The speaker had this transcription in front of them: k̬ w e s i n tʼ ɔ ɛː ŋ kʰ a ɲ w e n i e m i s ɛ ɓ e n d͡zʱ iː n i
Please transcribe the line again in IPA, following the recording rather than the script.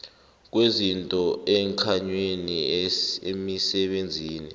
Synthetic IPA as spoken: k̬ w e z i n tʼ ɔ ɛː ŋ kʰ a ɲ w e n i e m i s ɛ ɓ e n d͡zʱ iː n i

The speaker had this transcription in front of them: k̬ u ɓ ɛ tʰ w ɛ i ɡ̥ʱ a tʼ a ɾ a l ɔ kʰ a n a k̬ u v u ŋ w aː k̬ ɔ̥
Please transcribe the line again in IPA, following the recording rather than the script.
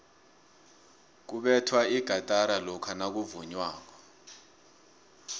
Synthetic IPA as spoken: k̬ u ɓ ɛ tʰ w a i ɡ̥ʱ a tʼ a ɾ a l ɔ kʰ a n a k̬ u v u ɲ w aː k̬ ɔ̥

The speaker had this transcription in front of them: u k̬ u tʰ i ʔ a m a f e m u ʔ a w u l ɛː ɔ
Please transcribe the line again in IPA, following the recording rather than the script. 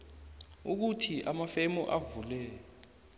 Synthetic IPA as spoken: u k̬ u tʰ i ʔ a m a f e m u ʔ a v u l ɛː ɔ

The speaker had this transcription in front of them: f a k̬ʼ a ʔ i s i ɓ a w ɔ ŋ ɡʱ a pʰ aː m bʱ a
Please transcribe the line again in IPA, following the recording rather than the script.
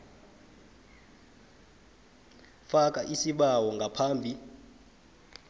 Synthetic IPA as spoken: f a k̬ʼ a ʔ i s i ɓ a w ɔ ŋ ɡʱ a pʰ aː m bʱ i

